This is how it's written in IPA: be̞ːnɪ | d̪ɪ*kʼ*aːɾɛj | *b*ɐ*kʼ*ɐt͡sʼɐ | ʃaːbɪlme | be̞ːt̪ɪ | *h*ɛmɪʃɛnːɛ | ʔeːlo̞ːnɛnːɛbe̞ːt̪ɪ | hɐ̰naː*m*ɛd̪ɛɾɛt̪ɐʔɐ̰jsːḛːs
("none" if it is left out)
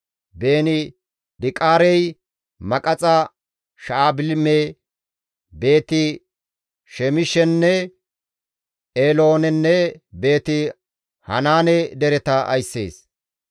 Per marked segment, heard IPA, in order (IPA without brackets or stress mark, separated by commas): kʼ, m, kʼ, ʃ, n